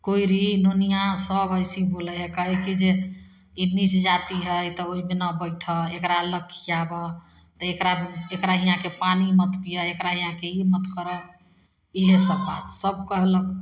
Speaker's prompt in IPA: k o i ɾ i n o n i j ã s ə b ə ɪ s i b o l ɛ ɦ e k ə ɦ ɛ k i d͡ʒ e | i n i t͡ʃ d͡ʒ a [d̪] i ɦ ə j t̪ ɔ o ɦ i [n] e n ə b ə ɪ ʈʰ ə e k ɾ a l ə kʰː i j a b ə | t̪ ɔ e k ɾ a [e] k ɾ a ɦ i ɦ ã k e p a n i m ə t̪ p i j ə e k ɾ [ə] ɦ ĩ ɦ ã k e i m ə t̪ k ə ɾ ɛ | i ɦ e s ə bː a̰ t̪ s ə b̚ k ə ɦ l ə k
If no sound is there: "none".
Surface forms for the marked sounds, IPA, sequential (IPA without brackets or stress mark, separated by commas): t̪, m, e, a